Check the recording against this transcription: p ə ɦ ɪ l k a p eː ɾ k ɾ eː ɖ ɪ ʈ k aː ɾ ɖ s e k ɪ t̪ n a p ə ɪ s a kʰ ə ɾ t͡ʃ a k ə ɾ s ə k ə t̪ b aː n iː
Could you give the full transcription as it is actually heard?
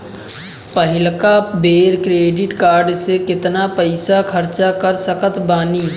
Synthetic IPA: p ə ɦ ɪ l k a b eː ɾ k ɾ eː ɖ ɪ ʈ k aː ɾ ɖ s e k ɪ t̪ n a p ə ɪ s a kʰ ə ɾ t͡ʃ a k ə ɾ s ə k ə t̪ b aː n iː